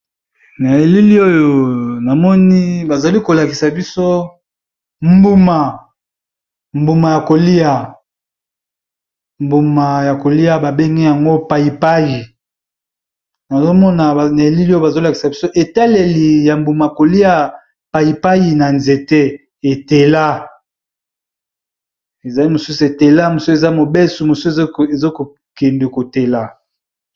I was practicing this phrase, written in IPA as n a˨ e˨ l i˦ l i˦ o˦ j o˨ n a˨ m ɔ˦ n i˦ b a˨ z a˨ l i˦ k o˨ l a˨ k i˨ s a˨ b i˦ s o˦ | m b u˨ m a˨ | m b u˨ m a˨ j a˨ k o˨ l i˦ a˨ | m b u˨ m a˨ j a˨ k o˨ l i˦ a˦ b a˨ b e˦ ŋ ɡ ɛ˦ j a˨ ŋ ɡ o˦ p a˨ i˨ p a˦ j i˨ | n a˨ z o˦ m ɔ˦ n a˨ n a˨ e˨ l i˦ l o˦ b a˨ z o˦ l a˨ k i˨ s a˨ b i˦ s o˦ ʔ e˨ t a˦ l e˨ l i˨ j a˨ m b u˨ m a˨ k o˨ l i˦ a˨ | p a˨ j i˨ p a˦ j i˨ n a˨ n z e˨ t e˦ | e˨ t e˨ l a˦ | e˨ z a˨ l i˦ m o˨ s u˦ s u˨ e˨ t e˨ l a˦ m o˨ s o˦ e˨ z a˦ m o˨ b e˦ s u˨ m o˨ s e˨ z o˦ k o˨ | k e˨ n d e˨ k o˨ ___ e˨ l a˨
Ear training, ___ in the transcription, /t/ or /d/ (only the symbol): t